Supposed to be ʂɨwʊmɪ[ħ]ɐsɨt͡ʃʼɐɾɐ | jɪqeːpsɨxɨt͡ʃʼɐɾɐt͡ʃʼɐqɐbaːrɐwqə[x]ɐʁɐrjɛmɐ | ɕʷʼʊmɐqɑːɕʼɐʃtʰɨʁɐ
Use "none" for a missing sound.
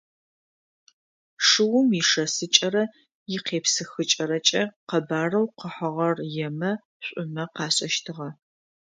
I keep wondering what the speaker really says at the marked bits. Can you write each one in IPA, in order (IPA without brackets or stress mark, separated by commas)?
ʂ, ħ